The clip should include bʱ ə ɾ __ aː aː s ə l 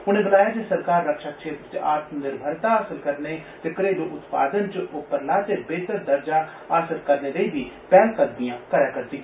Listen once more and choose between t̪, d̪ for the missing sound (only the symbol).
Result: t̪